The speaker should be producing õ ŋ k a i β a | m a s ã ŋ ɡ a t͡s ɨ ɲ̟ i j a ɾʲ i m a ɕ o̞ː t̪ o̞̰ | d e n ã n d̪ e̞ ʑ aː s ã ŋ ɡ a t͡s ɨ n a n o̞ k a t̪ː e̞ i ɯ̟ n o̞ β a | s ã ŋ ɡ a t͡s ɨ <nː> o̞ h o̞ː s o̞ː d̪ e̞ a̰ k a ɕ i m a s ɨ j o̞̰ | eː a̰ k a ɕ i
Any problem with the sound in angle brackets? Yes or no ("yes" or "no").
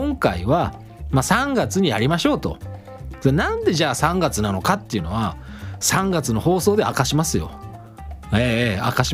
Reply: yes